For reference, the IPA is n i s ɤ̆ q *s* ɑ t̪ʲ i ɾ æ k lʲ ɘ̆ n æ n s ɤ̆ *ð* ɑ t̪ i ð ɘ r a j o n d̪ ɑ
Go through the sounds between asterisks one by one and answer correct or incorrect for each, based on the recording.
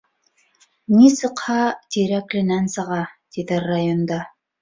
incorrect, incorrect

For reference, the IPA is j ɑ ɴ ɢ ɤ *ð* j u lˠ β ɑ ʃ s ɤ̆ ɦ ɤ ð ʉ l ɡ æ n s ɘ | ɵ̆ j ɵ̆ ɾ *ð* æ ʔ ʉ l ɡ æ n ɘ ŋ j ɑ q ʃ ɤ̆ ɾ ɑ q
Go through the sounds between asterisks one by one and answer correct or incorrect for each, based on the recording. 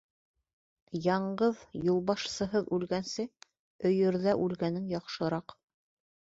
correct, correct

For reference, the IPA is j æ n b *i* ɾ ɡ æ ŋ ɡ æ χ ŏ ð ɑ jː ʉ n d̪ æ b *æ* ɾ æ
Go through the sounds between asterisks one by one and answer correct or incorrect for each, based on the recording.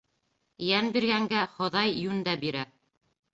correct, incorrect

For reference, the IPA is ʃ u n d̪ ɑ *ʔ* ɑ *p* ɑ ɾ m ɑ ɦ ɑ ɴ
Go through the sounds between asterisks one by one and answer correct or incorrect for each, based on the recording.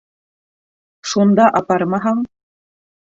correct, correct

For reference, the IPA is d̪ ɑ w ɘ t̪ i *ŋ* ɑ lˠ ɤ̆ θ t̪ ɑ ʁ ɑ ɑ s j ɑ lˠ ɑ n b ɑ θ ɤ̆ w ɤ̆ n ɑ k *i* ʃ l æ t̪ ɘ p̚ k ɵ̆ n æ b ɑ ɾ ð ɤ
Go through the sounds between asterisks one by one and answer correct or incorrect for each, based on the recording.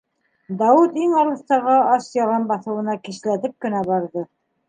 correct, correct

